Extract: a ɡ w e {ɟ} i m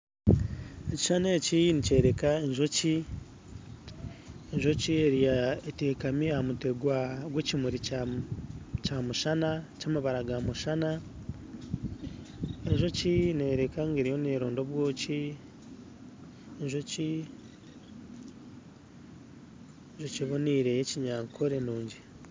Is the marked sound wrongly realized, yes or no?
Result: yes